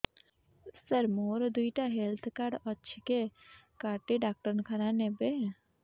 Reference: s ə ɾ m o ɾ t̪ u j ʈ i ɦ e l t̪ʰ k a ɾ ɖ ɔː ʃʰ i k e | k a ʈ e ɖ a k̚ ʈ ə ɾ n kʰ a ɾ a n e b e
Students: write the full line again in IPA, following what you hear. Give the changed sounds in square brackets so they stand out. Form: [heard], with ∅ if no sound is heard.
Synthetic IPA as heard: s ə ɾ m o ɾ [d̪] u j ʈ [a] ɦ e l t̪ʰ k a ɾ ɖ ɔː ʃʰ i k e | k a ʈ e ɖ a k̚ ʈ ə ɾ n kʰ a ɾ a n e b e